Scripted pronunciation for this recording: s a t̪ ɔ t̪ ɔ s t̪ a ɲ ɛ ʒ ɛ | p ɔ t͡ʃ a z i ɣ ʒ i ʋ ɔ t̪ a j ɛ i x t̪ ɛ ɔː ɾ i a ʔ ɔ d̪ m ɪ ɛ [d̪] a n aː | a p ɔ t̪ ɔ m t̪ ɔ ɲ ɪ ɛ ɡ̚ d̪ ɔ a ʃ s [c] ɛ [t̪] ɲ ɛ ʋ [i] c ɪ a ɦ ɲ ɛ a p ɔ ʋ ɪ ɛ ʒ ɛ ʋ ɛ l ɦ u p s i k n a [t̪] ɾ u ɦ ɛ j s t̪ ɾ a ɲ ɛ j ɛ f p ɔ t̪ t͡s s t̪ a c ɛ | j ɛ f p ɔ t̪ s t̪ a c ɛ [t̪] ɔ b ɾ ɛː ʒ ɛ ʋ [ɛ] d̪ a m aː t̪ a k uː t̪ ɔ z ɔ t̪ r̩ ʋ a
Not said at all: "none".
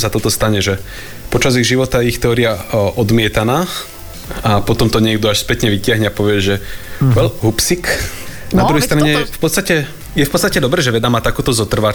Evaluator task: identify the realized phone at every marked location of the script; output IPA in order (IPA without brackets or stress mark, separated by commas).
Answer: t̪, p, t̪, i, d̪, d̪, ɛ